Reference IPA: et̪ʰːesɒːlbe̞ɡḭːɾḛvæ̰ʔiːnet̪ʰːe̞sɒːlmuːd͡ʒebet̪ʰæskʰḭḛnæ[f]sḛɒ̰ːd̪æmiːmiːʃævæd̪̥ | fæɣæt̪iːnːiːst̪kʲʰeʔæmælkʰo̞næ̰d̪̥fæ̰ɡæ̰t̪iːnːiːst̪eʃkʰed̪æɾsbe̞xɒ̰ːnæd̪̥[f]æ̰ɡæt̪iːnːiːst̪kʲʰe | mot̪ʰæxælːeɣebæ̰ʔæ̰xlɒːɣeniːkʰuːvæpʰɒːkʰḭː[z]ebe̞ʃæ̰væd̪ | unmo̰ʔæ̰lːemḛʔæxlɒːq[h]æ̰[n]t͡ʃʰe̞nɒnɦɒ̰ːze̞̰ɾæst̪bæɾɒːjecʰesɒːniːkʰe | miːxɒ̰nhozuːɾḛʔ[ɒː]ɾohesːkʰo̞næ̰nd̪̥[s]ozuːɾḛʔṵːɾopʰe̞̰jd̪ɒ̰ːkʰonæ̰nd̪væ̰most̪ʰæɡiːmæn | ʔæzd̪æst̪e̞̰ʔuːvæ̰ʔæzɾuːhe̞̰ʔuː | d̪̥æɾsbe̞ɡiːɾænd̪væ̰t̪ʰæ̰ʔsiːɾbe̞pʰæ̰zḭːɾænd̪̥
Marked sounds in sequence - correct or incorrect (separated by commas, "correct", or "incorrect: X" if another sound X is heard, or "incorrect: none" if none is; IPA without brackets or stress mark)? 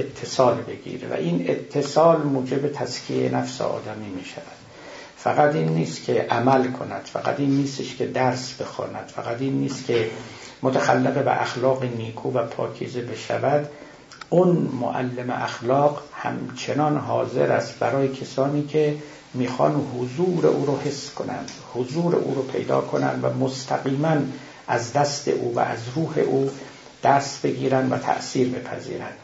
correct, correct, correct, correct, incorrect: m, incorrect: uː, incorrect: h